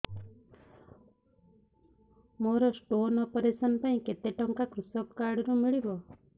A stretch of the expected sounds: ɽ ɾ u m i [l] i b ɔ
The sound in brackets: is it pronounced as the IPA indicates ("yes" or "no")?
no